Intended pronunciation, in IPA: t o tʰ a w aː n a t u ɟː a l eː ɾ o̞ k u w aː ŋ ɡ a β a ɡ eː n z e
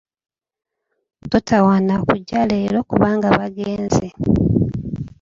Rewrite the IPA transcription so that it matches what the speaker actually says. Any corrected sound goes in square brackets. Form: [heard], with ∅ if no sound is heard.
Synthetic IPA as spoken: t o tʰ a w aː n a [k] u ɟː a l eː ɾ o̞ k u [β] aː ŋ ɡ a β a ɡ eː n z e